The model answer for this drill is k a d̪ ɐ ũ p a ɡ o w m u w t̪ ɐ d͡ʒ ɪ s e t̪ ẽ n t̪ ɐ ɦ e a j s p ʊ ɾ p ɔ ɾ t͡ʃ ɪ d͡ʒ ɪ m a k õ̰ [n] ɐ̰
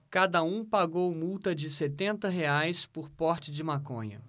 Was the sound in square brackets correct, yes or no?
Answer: no